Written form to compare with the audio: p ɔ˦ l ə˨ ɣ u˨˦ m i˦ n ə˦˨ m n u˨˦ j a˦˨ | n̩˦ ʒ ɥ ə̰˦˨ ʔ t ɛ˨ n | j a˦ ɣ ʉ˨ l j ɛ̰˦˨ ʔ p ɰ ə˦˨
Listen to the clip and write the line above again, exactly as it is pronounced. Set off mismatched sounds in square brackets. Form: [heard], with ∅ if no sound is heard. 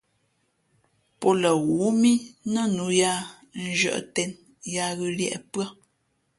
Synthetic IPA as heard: p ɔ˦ l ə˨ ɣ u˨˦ m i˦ n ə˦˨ [∅] n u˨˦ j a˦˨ | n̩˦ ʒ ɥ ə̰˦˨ ʔ t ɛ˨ n | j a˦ ɣ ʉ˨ l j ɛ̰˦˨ ʔ p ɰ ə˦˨